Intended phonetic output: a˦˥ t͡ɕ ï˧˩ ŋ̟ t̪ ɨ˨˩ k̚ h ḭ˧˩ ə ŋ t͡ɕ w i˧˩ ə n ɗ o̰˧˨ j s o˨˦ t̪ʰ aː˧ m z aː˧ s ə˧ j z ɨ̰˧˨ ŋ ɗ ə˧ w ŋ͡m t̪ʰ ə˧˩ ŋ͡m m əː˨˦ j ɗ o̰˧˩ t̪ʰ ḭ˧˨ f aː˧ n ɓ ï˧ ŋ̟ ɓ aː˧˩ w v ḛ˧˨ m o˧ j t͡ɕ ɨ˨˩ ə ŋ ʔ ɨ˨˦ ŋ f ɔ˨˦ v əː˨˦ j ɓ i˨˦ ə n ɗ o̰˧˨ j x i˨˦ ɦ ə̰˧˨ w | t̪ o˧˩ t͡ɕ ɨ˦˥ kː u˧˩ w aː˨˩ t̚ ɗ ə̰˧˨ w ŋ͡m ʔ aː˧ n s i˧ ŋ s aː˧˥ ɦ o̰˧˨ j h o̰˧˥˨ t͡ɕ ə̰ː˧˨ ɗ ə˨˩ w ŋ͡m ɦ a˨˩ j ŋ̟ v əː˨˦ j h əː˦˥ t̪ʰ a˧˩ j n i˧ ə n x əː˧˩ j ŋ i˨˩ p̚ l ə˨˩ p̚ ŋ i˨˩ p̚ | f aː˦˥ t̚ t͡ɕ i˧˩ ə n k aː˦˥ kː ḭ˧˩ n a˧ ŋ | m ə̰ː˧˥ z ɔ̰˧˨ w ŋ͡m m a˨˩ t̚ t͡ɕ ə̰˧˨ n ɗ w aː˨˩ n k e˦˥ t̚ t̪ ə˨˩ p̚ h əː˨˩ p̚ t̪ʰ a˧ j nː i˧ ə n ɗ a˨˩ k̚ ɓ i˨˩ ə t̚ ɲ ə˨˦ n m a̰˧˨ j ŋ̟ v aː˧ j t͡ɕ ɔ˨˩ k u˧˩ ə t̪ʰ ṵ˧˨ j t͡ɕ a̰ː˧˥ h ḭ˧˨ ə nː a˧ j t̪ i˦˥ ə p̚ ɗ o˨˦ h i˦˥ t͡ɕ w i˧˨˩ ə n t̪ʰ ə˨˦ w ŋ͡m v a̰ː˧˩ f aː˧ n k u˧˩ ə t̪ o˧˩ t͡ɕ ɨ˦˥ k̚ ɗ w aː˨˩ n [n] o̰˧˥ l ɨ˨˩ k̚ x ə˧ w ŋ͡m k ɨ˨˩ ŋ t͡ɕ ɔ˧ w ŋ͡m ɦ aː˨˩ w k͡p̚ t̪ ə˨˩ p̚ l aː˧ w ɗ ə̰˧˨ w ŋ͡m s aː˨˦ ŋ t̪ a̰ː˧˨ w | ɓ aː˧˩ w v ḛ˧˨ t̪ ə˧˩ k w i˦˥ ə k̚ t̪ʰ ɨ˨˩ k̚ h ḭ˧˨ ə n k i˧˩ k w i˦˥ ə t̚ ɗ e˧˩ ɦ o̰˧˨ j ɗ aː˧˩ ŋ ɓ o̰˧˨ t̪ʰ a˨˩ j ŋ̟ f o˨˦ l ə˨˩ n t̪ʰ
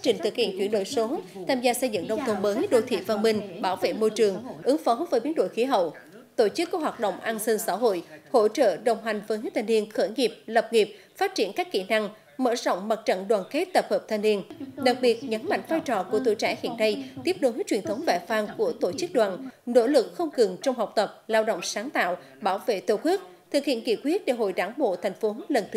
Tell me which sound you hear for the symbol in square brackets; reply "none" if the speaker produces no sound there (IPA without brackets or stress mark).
n